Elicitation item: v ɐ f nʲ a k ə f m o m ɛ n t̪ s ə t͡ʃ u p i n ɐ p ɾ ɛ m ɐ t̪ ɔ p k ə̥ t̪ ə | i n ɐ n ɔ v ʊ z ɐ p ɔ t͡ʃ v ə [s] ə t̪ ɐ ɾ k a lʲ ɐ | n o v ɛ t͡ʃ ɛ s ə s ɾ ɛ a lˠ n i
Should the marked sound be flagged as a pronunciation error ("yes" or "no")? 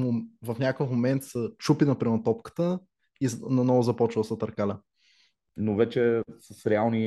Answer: no